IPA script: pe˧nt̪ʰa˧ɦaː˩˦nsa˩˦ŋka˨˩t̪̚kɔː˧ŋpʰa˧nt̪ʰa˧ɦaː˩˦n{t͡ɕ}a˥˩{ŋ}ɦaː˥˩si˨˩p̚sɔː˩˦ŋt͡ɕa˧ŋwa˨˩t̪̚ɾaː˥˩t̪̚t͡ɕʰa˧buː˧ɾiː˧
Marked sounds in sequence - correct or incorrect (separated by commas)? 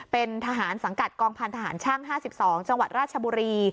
incorrect, correct